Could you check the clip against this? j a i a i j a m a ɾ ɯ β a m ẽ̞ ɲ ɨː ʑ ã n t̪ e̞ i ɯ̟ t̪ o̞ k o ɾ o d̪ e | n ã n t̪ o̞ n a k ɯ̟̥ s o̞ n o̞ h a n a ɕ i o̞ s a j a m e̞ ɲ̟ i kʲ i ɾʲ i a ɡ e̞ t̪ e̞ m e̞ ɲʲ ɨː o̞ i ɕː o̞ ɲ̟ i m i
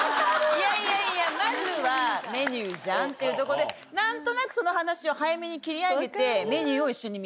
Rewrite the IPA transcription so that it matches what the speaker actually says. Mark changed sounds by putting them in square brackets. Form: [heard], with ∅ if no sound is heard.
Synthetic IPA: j a i a i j a m a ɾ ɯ β a m [e̞] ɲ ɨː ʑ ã n t̪ e̞ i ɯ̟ t̪ o̞ k o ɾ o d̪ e | n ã n t̪ o̞ n a k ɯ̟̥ s o̞ n o̞ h a n a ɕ i o̞ [h] a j a m e̞ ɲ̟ i kʲ i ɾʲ i a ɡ e̞ t̪ e̞ m e̞ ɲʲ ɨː o̞ i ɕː o̞ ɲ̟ i m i